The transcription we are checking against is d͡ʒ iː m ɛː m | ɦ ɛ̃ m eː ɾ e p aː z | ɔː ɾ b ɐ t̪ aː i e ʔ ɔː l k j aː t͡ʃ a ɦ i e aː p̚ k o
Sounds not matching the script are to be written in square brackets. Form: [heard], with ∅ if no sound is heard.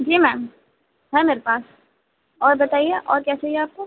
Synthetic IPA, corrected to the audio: d͡ʒ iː m ɛː m | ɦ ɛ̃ m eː ɾ e p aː [s] | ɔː ɾ b ɐ t̪ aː i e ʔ ɔː [ɾ] k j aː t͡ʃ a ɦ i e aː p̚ k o

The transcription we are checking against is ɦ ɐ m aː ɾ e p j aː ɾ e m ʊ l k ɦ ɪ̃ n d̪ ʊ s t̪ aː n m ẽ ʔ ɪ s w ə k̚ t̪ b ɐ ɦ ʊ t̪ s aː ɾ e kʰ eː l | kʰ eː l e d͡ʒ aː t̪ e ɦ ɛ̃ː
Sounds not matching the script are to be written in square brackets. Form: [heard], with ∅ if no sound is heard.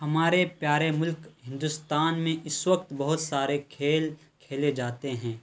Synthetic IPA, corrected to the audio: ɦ ɐ m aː ɾ e p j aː ɾ e m ʊ l k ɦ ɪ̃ n d̪ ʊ s t̪ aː n m ẽ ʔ ɪ s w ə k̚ t̪ b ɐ ɦ ʊ t̪ s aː ɾ e kʰ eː l | kʰ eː l e d͡ʒ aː t̪ e ɦ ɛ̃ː

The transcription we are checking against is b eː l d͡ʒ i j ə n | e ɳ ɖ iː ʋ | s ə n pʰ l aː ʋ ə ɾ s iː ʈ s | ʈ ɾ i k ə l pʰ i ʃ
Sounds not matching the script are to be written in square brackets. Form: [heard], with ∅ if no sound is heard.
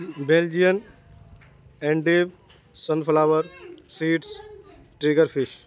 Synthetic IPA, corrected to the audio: b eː l d͡ʒ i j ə n | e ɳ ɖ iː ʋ | s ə n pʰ l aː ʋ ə ɾ s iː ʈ s | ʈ ɾ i [ɡ] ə [ɾ] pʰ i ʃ

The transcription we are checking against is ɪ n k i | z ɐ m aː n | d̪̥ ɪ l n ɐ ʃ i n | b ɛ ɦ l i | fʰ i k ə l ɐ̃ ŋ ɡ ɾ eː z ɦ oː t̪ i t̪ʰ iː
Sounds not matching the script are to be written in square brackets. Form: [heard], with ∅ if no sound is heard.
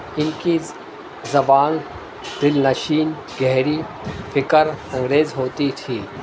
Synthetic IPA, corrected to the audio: ɪ n k i | z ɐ [b] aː n | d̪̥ ɪ l n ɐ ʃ [iː] n | [ɡ] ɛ ɦ [ɾ] i | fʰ [ɪ] k ə [ɾ] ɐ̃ ŋ ɡ ɾ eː z ɦ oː t̪ i t̪ʰ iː

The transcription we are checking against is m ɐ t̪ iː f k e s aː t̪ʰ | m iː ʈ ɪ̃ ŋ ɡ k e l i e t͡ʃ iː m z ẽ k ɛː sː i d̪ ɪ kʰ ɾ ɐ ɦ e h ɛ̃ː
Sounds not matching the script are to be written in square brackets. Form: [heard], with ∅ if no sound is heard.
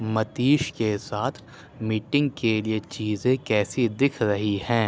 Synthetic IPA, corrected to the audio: m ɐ t̪ iː [ʃ] k e s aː t̪ʰ | m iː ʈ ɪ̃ ŋ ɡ k e l i e t͡ʃ iː [∅] z ẽ k ɛː [s] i d̪ ɪ kʰ ɾ ɐ ɦ [i] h ɛ̃ː

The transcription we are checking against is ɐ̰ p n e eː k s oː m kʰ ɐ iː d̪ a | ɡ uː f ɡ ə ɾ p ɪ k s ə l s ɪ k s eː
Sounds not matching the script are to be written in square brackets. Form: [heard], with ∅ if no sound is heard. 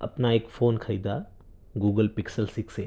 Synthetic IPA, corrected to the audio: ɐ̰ p n [a] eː k [f] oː [n] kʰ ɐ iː d̪ a | ɡ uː [∅] ɡ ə [l] p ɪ k s ə l s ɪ k s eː

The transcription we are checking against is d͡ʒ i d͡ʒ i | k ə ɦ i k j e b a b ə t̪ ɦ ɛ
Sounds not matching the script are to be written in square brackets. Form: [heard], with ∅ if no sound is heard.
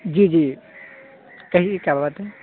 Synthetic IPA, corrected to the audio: d͡ʒ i d͡ʒ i | k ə ɦ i k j [a] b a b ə t̪ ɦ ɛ

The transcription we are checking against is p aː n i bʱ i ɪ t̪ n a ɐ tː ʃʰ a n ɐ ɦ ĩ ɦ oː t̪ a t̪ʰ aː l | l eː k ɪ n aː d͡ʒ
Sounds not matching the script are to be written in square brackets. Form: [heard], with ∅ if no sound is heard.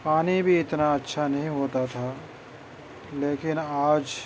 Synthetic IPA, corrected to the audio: p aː n i bʱ i ɪ t̪ n a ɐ tː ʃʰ a n ɐ ɦ ĩ ɦ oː t̪ a t̪ʰ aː [∅] | l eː k ɪ n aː d͡ʒ

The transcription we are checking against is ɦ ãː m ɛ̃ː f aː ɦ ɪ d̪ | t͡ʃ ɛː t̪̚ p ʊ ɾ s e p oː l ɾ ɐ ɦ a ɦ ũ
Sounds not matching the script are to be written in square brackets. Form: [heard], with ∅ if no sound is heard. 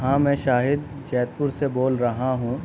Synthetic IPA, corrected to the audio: ɦ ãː m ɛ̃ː [ʃ] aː ɦ ɪ d̪ | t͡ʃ ɛː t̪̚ p ʊ ɾ s e [b] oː l ɾ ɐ ɦ a ɦ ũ

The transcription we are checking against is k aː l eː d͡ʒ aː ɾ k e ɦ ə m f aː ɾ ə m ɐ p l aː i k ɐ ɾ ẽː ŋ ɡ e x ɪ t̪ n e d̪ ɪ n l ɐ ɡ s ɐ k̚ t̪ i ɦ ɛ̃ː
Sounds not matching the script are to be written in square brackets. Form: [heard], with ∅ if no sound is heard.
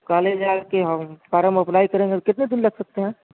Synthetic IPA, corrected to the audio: k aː l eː d͡ʒ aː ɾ k e ɦ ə m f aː ɾ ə m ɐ p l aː i k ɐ ɾ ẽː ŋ ɡ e [k] ɪ t̪ n e d̪ ɪ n l ɐ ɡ s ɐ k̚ t̪ [e] ɦ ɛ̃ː

